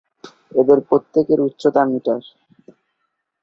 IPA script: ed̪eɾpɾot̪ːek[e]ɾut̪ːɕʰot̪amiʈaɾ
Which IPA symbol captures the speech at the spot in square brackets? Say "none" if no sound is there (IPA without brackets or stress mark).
e